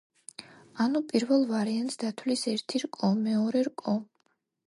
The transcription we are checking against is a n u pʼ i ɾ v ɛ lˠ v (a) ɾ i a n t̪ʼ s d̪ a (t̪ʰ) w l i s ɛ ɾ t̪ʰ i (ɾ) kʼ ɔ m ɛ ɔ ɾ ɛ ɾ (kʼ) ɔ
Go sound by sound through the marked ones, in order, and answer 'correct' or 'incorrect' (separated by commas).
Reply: correct, correct, correct, correct